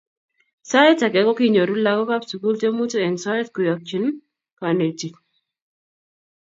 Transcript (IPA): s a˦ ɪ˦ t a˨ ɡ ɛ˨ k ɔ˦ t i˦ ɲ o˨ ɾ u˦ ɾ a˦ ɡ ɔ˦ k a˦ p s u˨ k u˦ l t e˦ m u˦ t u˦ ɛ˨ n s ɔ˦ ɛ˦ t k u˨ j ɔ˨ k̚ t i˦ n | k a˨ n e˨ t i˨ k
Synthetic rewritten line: s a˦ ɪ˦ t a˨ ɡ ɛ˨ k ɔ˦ k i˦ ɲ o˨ ɾ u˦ l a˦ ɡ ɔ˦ k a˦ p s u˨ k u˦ l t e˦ m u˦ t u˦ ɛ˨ n s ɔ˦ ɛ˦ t k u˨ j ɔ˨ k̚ t͡ʃ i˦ n | k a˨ n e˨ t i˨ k